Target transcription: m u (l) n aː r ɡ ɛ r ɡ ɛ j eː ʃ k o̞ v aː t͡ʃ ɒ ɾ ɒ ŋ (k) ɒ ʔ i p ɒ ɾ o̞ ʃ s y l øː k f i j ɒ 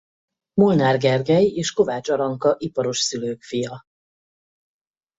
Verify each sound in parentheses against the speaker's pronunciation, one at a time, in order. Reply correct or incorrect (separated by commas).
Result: correct, correct